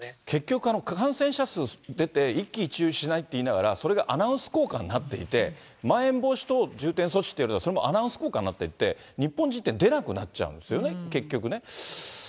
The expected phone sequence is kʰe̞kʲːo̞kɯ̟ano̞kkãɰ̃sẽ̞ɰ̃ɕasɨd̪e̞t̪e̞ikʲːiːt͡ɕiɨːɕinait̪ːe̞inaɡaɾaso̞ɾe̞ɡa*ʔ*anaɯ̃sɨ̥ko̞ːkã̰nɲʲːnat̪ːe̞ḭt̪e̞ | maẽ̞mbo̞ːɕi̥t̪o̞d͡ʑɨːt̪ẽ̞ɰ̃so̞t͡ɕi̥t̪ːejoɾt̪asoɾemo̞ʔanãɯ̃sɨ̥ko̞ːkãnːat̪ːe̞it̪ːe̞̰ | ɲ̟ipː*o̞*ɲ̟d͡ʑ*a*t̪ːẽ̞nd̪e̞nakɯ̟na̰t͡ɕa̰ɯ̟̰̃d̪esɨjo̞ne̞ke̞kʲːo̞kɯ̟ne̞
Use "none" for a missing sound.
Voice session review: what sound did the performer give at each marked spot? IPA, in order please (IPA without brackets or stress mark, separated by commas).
ʔ, õ̞, i